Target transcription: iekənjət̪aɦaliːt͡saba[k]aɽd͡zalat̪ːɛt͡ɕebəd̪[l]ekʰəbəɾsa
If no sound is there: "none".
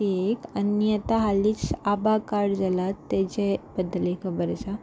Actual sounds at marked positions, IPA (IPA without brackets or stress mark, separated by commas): k, l